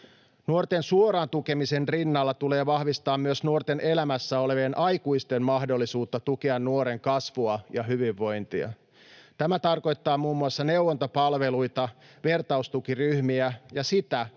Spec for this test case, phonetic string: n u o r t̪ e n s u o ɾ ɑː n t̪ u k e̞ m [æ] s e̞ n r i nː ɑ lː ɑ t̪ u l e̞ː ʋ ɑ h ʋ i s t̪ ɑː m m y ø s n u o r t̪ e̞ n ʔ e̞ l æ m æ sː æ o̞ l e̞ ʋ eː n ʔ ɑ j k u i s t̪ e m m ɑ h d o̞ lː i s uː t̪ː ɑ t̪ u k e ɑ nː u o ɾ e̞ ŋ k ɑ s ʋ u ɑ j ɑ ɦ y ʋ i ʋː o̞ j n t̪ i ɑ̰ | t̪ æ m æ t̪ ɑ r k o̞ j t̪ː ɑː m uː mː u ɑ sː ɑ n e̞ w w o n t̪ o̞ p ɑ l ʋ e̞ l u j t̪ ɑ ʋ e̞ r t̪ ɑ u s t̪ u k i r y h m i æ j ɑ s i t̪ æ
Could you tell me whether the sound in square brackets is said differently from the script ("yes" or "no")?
yes